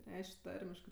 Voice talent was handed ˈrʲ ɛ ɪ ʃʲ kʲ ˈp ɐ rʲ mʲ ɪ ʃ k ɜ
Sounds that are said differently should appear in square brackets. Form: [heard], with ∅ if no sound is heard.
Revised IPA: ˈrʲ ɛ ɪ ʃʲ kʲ [ˈt] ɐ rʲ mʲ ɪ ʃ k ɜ